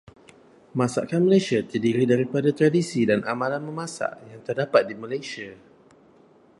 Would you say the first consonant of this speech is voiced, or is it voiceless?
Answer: voiced